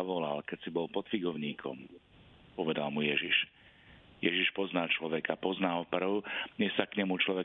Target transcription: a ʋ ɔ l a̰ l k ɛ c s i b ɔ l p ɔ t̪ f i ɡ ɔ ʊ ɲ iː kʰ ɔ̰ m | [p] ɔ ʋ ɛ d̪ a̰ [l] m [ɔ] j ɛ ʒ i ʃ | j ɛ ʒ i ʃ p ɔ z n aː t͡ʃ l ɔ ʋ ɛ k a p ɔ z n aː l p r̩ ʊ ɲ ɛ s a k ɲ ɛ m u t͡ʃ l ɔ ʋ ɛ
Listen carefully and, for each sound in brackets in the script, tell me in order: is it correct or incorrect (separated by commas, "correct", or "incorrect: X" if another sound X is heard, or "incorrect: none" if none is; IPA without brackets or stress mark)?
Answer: correct, correct, incorrect: u